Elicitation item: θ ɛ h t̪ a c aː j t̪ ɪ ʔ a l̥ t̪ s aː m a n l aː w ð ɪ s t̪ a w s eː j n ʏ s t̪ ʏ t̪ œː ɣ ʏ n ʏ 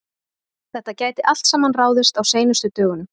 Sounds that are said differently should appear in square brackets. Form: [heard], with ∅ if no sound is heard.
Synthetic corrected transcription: θ ɛ h t̪ a c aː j t̪ ɪ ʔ a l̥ t̪ s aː m a n [r] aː w ð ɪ s t̪ a w s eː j n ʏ s t̪ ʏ t̪ œː ɣ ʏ n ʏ